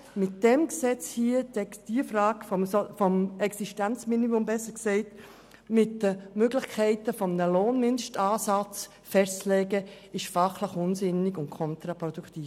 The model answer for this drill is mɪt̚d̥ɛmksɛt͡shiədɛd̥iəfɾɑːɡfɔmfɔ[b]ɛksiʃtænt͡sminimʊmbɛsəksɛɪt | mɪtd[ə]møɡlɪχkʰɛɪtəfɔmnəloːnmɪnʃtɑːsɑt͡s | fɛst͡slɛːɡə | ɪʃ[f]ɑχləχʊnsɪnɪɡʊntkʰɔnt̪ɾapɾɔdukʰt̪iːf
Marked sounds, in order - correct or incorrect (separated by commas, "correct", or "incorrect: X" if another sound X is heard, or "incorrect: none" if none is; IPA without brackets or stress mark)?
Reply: incorrect: m, correct, correct